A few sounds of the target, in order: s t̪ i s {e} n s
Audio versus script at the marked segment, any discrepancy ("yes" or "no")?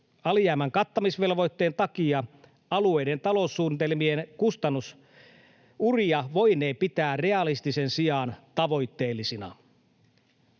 no